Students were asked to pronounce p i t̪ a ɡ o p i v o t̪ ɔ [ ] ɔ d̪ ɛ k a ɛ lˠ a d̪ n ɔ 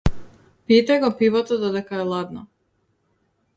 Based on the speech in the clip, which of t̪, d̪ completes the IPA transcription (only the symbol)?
d̪